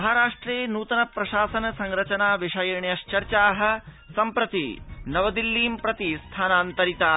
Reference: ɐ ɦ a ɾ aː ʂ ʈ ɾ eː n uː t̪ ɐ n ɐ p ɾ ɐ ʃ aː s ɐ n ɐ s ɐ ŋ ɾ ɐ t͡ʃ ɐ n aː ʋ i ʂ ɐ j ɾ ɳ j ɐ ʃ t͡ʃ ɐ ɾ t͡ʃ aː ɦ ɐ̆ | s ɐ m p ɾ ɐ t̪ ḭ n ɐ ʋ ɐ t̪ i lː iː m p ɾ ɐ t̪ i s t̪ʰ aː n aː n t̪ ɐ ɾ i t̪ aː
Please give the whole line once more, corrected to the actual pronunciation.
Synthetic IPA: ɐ ɦ a ɾ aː ʂ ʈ ɾ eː n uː t̪ ɐ n ɐ p ɾ ɐ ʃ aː s ɐ n ɐ s ɐ ŋ ɾ ɐ t͡ʃ ɐ n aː ʋ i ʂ ɐ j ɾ ɳ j ɐ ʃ t͡ʃ ɐ ɾ t͡ʃ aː ɦ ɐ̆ | s ɐ m p ɾ ɐ t̪ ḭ n ɐ ʋ ɐ d̪ i lː iː m p ɾ ɐ t̪ i s t̪ʰ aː n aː n t̪ ɐ ɾ i t̪ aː

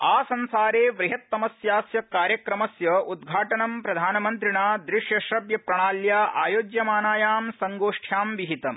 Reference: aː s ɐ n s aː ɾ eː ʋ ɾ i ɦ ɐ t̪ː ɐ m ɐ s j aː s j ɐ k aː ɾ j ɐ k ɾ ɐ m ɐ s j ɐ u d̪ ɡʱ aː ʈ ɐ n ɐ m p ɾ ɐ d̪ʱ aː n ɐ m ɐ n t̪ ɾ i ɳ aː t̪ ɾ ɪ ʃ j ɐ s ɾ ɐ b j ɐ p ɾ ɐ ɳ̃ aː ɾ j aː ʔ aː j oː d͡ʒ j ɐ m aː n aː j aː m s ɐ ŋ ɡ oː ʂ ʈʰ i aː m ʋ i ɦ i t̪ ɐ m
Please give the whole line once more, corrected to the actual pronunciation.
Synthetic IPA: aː s ɐ n s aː ɾ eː ʋ ɾ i ɦ ɐ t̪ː ɐ m ɐ s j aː s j ɐ k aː ɾ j ɐ k ɾ ɐ m ɐ s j ɐ u d̪ ɡʱ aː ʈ ɐ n ɐ m p ɾ ɐ d̪ʱ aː n ɐ m ɐ n t̪ ɾ i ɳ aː d̪ ɾ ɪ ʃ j ɐ ʃ ɾ ɐ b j ɐ p ɾ ɐ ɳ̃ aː l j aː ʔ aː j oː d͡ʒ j ɐ m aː n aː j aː m s ɐ ŋ ɡ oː ʂ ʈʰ j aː m ʋ i ɦ i t̪ ɐ m

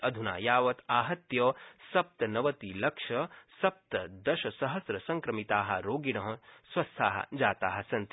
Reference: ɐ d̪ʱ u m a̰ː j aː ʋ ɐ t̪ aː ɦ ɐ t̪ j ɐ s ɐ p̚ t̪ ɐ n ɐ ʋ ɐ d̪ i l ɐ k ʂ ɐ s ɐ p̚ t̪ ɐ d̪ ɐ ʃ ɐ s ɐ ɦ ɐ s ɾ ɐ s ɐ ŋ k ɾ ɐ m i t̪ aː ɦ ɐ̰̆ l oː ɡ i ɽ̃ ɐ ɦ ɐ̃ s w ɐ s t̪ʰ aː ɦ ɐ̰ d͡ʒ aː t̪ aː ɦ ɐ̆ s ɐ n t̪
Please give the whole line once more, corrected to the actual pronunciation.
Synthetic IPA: ɐ d̪ʱ u n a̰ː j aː ʋ ɐ t̪ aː ɦ ɐ t̪ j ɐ s ɐ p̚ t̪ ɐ n ɐ ʋ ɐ t̪ i l ɐ k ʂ ɐ s ɐ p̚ t̪ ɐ d̪ ɐ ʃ ɐ s ɐ ɦ ɐ s ɾ ɐ s ɐ ŋ k ɾ ɐ m i t̪ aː ɦ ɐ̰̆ ɾ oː ɡ i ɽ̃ ɐ ɦ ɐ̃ s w ɐ s t̪ʰ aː ɦ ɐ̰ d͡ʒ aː t̪ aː ɦ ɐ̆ s ɐ n t̪

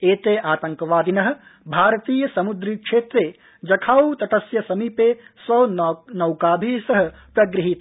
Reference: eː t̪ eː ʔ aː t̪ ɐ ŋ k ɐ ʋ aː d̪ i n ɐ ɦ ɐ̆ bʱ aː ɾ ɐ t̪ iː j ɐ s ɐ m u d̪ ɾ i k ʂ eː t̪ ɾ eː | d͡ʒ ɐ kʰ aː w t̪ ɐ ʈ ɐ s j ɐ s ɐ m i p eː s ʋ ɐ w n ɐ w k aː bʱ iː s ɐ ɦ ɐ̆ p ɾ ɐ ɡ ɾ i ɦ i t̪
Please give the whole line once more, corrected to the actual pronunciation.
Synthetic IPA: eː t̪ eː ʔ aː t̪ ɐ ŋ k ɐ ʋ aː d̪ i n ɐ ɦ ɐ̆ bʱ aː ɾ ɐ t̪ iː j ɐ s ɐ m u d̪ ɾ i k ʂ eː t̪ ɾ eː | d͡ʒ ɐ kʰ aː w t̪ ɐ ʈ ɐ s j ɐ s ɐ m i p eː s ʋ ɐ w n ɐ w k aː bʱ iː s ɐ ɦ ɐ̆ p ɾ ɐ ɡ ɾ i ɦ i t̪

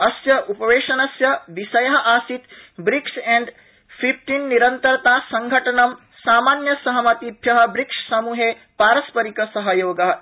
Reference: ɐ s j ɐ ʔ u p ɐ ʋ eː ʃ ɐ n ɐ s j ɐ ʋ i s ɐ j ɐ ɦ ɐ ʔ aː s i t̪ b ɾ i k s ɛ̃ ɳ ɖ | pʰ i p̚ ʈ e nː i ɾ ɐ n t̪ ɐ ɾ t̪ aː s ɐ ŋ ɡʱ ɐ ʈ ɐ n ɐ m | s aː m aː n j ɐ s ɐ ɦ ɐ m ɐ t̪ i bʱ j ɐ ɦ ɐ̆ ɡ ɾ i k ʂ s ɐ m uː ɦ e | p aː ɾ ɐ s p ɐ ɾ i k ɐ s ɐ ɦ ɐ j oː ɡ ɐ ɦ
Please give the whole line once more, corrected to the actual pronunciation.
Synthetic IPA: ɐ s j ɐ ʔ u p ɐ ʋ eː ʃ ɐ n ɐ s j ɐ ʋ i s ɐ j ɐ ɦ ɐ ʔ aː s i t̪ b ɾ i k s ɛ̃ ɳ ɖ | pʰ i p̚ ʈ i nː i ɾ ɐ n t̪ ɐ ɾ t̪ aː s ɐ ŋ ɡʱ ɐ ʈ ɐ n ɐ m | s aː m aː n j ɐ s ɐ ɦ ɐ m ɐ t̪ i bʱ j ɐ ɦ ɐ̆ b ɾ i k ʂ s ɐ m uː ɦ e | p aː ɾ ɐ s p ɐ ɾ i k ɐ s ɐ ɦ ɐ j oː ɡ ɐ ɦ

